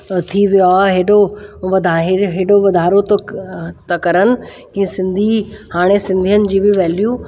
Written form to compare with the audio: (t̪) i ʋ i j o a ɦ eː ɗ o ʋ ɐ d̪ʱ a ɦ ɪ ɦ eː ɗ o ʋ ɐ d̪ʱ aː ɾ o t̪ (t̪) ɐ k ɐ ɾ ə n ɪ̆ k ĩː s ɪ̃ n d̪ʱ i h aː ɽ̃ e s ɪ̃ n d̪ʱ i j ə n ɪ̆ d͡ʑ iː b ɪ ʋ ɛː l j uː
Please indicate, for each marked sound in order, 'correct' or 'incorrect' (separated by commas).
incorrect, correct